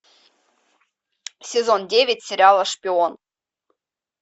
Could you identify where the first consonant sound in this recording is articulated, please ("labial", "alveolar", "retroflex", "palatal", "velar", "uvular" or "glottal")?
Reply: alveolar